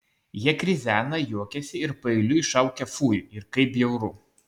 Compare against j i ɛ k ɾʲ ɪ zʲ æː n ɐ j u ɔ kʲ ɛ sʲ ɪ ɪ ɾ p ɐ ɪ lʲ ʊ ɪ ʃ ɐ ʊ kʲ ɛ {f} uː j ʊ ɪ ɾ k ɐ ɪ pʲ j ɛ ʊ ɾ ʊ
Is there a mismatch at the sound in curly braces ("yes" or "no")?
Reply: no